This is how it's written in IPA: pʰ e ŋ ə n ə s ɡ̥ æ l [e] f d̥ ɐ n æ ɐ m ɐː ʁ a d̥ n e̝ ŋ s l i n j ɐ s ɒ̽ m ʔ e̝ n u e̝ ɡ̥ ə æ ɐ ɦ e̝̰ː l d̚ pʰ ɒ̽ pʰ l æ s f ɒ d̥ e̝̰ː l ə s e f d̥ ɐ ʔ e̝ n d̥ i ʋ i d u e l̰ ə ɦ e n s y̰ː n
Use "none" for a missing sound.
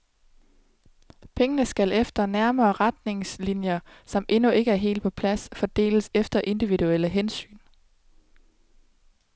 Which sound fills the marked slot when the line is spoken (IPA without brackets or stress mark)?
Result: e